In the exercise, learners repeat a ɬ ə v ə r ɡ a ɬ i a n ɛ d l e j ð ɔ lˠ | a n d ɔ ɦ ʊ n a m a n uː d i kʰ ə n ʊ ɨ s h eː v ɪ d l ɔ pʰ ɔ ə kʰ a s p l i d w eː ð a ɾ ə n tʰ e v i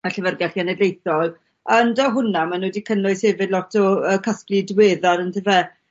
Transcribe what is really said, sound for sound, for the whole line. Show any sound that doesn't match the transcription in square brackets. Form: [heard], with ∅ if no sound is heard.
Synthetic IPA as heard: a ɬ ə v ə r ɡ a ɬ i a n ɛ d l e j [θ] ɔ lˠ | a n d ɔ ɦ ʊ n a m a n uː d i kʰ ə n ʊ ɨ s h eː v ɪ d l ɔ [tʰ] ɔ ə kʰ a s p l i d w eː ð a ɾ ə n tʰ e v [ɛ]